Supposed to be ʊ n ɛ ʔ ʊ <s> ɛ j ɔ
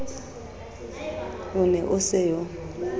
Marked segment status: correct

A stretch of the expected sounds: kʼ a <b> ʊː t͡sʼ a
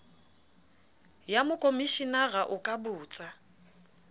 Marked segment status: correct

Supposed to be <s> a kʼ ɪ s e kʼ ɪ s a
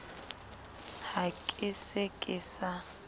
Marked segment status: incorrect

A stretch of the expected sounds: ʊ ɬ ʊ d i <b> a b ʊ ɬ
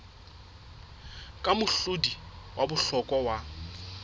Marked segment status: incorrect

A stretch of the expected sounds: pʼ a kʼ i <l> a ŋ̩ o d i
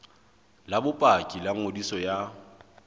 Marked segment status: correct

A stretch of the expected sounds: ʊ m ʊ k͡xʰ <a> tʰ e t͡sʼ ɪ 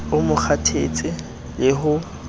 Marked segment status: correct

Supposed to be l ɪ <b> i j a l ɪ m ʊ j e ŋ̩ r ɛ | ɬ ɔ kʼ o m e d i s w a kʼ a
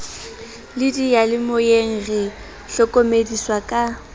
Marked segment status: incorrect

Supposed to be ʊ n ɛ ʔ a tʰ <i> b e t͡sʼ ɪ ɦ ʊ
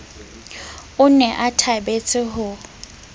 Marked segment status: incorrect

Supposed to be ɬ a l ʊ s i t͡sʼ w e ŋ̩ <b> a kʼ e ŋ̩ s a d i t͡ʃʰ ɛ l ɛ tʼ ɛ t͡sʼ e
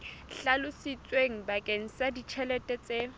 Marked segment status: correct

